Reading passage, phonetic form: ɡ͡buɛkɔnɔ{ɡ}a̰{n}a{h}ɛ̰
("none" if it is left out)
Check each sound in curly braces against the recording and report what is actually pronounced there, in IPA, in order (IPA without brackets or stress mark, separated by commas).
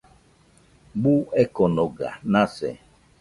ɡ, n, s